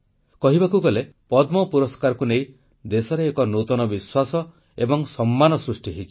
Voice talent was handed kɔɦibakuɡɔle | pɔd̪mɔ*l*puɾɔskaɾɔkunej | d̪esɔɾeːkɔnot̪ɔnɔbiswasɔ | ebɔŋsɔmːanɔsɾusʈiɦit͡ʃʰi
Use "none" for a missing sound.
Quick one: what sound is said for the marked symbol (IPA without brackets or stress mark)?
none